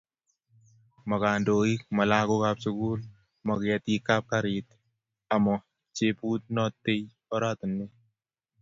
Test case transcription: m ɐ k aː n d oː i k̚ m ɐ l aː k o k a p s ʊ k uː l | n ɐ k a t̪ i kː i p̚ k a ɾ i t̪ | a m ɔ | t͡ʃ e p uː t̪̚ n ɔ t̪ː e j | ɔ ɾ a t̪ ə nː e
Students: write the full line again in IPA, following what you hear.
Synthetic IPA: m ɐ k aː n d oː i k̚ m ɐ l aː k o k a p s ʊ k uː l | m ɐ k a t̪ i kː a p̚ k a ɾ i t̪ | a m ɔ | t͡ʃ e p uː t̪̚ n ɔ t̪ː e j | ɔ ɾ a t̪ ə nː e